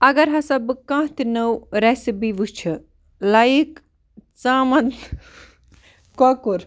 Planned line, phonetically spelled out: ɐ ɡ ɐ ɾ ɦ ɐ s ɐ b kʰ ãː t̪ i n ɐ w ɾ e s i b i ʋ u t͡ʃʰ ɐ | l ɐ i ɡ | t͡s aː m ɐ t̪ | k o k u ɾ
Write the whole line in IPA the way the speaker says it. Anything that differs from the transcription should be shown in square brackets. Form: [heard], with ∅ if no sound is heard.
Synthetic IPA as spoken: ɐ ɡ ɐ ɾ ɦ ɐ s ɐ b [k] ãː t̪ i n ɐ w ɾ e s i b i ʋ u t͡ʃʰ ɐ | l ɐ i [k] | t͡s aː m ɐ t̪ | k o k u ɾ